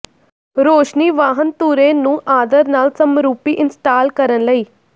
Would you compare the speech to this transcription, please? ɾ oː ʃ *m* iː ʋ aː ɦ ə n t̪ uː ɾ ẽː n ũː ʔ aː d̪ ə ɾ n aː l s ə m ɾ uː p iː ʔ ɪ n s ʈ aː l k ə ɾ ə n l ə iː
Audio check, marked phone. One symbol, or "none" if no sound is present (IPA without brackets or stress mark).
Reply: n